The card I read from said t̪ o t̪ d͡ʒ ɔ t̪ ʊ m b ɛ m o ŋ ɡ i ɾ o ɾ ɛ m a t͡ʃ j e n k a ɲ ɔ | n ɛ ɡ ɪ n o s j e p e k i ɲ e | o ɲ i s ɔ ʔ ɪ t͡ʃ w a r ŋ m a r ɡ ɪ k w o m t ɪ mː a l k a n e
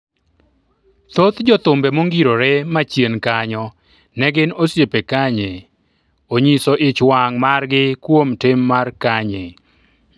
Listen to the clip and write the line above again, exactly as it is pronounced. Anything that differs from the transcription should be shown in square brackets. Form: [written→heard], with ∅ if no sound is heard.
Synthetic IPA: t̪ o t̪ d͡ʒ ɔ t̪ ʊ m b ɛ m o ŋ ɡ i ɾ o ɾ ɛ m a t͡ʃ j e n k a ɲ ɔ | n ɛ ɡ ɪ n o s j e p e k [i→a] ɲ e | o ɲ i s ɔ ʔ ɪ t͡ʃ w a [r→∅] ŋ m a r ɡ ɪ k w o m t ɪ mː a [l→r] k a [n→ɲ] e